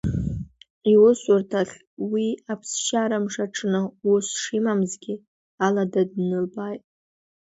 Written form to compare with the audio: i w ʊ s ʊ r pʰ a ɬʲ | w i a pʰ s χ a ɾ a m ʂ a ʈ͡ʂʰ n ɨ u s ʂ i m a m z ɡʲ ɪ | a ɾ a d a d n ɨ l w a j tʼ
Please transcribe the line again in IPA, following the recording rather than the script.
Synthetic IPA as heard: i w ʊ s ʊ r tʰ a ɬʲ | w i a pʰ s ʃ a ɾ a m ʂ a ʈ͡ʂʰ n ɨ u s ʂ i m a m z ɡʲ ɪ | a l a d a d n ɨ l b a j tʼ